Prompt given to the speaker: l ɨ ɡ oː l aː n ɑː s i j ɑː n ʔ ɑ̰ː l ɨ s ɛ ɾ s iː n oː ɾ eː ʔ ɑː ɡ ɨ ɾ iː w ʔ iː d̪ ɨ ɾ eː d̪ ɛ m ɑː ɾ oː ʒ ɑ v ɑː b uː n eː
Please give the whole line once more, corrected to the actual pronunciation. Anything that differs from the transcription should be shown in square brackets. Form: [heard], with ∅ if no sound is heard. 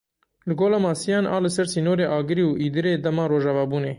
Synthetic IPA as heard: l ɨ ɡ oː l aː [m] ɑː s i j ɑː n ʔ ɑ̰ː l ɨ s ɛ ɾ s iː n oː ɾ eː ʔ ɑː ɡ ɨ ɾ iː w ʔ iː d̪ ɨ ɾ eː d̪ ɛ m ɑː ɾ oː ʒ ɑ v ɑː b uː n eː